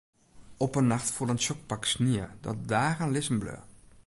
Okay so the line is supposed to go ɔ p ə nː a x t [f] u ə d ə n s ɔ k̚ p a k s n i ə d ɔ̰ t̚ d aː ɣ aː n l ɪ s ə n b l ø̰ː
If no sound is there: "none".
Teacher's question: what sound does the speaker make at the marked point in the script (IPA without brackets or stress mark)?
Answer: f